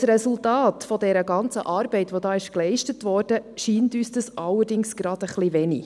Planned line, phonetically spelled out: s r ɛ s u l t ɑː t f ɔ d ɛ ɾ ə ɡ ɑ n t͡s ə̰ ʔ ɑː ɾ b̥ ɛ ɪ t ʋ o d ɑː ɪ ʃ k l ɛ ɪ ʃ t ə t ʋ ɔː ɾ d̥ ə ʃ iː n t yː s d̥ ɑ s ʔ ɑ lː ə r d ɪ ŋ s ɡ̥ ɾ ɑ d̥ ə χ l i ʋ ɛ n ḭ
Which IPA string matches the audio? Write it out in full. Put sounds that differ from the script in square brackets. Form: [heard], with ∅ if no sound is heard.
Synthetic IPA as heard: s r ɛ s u l t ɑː t f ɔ d ɛ ɾ ə ɡ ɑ n t͡s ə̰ ʔ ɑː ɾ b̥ ɛ ɪ t ʋ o d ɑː ɪ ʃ k l ɛ ɪ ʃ t ə t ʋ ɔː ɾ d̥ ə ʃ iː n t yː s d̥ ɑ s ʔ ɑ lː ə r d ɪ ŋ s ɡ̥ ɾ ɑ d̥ ə χ l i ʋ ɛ n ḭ